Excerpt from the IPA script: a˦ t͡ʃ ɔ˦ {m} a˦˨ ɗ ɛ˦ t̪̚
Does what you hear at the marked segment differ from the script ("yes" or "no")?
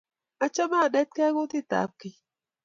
no